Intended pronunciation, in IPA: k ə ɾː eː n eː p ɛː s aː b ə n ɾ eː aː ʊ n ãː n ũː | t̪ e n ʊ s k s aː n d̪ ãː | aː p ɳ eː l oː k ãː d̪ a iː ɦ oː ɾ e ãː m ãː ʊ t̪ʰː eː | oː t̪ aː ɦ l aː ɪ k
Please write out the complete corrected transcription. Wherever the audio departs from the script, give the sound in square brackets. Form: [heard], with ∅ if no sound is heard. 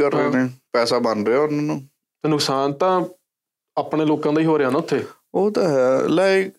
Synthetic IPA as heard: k ə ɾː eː n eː p ɛː s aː b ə n ɾ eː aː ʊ n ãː n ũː | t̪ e n ʊ [∅] k s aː n [t̪] ãː | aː p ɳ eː l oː k ãː d̪ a iː ɦ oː ɾ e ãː [n] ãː ʊ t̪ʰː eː | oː t̪ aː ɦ l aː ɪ k